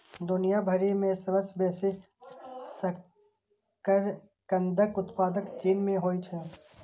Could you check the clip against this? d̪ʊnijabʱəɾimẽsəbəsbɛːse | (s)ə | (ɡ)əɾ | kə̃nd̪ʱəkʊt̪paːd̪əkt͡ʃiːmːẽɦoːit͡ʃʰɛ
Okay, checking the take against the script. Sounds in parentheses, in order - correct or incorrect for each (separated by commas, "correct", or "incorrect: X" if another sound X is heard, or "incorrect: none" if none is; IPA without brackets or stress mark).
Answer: correct, incorrect: k